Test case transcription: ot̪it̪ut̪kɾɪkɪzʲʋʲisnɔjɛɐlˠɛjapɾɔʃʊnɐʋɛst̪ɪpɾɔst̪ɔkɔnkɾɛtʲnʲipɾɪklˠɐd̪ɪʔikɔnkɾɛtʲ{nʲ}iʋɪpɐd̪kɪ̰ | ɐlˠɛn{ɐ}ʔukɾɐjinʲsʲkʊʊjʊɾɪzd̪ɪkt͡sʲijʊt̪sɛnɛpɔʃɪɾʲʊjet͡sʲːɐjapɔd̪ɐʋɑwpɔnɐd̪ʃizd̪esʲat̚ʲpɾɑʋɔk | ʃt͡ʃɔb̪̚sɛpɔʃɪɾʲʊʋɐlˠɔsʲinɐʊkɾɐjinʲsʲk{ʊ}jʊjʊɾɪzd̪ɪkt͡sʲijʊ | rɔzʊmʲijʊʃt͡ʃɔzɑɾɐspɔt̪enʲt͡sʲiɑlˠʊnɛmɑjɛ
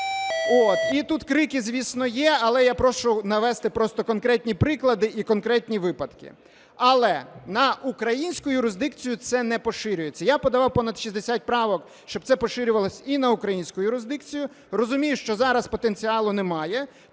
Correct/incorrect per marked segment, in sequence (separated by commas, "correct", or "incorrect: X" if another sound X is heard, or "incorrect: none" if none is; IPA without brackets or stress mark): correct, correct, correct